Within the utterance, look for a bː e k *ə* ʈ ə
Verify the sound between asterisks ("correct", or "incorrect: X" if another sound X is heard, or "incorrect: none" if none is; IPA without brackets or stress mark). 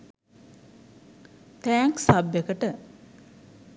correct